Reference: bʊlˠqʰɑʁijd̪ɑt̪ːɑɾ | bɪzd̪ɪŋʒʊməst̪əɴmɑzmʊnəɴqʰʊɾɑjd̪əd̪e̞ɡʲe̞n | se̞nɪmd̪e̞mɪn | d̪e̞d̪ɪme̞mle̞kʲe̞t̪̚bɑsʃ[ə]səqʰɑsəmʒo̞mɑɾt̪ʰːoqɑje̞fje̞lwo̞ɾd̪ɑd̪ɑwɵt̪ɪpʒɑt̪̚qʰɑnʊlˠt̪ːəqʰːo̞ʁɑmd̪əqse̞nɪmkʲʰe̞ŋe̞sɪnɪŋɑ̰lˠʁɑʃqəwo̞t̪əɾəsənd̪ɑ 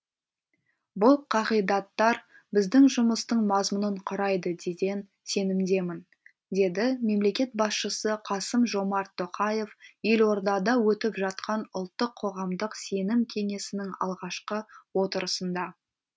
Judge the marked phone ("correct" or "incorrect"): correct